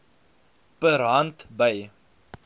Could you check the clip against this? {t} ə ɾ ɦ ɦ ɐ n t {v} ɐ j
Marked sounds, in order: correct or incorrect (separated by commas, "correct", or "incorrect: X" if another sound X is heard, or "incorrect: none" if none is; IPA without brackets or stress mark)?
incorrect: p, incorrect: b